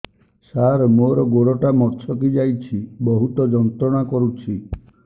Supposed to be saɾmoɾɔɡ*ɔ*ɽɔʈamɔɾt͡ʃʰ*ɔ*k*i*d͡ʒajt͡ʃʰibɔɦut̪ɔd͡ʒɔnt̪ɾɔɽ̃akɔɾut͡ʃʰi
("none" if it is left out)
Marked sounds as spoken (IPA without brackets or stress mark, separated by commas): o, ɔ, i